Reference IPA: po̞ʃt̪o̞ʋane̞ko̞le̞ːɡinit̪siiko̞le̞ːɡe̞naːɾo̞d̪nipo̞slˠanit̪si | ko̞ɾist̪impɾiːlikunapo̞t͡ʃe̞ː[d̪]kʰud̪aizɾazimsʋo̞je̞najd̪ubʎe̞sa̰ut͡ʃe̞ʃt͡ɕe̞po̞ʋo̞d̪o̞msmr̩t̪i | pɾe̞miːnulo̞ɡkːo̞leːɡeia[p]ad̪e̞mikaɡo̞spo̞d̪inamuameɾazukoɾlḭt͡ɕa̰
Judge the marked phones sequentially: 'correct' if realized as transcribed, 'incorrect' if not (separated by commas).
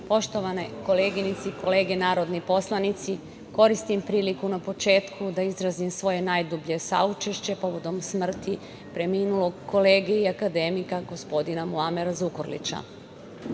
incorrect, incorrect